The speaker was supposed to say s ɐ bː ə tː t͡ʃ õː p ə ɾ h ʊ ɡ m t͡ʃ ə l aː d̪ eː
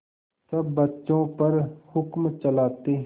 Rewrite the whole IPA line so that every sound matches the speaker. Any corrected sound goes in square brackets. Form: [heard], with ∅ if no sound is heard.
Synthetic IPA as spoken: s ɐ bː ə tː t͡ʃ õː p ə ɾ h ʊ [k] m t͡ʃ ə l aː [t̪] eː